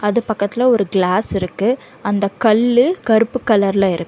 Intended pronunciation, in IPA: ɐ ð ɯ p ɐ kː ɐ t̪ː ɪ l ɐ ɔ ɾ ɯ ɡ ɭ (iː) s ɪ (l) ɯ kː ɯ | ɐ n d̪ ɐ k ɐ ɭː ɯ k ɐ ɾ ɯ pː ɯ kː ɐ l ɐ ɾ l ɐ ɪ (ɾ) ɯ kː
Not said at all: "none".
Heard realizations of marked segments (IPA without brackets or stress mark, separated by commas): aː, ɾ, ɾ